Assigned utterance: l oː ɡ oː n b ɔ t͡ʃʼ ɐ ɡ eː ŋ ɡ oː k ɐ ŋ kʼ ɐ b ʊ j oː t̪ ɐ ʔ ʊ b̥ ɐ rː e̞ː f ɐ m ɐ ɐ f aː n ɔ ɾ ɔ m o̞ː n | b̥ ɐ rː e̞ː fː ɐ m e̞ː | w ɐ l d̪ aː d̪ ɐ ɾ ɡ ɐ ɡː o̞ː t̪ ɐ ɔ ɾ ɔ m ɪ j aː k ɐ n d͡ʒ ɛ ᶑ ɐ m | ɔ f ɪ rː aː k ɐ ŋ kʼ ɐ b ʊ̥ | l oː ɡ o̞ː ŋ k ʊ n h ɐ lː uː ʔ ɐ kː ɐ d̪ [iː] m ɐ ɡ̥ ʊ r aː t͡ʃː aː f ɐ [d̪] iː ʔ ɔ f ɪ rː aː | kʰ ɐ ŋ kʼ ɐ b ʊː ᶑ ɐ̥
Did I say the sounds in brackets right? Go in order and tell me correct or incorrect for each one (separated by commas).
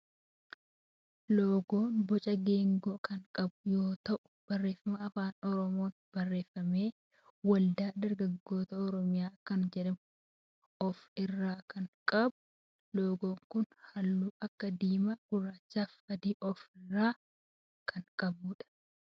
correct, correct